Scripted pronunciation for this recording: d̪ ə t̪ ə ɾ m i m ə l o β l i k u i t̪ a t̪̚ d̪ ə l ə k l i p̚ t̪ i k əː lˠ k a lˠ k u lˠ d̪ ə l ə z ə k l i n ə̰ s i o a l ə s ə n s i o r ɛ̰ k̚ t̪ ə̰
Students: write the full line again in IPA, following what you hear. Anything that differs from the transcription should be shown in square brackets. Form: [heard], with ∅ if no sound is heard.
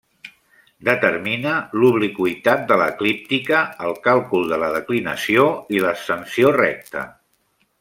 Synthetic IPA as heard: d̪ ə t̪ ə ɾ m i [n] ə l [u] β l i k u i t̪ a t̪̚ d̪ ə l ə k l i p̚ t̪ i k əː lˠ k a lˠ k u lˠ d̪ ə l ə [ð] ə k l i n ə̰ s i o [i] l ə s ə n s i o r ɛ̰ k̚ t̪ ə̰